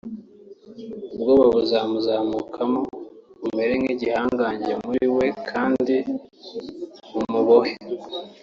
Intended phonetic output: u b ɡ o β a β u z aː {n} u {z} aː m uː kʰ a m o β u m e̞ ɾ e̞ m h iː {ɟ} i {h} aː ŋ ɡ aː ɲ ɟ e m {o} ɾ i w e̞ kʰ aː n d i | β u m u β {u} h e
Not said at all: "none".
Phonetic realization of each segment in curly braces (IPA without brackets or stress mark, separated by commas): m, z, ɟ, h, u, o